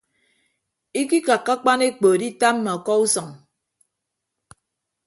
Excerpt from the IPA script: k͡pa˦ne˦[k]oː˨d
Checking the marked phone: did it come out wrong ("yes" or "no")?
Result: yes